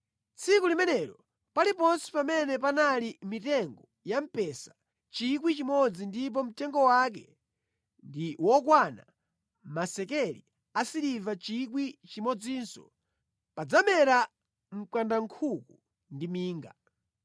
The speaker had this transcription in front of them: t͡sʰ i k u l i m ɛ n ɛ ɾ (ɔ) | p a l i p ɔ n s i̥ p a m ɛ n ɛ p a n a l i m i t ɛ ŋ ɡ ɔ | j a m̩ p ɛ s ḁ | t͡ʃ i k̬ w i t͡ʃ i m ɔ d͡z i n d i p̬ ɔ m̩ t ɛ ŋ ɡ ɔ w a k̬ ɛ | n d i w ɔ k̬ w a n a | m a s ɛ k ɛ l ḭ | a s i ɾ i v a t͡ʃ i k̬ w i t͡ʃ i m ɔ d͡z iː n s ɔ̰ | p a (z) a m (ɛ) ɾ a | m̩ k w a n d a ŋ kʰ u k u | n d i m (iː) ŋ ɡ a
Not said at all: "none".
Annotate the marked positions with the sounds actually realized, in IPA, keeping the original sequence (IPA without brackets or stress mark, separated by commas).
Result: ɔ, d͡z, ɛ, iː